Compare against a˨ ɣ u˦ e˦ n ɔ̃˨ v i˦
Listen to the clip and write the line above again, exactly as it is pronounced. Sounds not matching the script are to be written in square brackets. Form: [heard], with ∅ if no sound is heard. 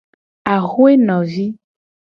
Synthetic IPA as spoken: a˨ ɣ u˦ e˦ n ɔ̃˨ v i˦